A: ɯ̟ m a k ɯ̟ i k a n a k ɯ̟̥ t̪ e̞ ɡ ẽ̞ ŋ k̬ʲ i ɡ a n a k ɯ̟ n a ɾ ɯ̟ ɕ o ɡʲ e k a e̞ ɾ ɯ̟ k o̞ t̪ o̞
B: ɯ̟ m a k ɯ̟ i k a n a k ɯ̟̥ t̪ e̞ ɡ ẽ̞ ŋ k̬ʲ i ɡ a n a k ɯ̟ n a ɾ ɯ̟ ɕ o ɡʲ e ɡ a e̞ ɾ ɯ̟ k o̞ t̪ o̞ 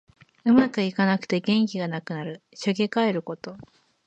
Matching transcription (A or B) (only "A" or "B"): A